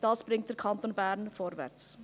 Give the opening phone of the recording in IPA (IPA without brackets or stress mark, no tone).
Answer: d̥